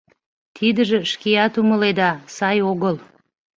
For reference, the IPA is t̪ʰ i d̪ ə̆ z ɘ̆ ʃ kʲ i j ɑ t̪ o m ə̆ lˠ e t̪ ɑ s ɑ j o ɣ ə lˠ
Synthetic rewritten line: t̪ʰ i d̪ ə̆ ʒ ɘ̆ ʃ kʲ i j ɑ t̪ u m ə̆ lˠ e d̪ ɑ s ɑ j o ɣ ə lˠ